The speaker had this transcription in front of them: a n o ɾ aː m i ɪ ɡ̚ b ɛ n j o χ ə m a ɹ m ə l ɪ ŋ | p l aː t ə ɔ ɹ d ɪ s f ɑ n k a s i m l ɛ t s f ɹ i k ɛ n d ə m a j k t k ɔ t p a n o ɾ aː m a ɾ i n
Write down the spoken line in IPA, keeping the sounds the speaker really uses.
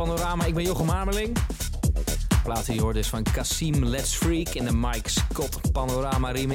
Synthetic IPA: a n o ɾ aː m a ɪ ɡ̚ b ɛ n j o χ ə m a ɹ m ə l ɪ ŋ | p l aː t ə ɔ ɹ d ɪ s f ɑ n k a s i m l ɛ t s f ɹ i k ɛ n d ə m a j k s k ɔ t p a n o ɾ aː m a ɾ i m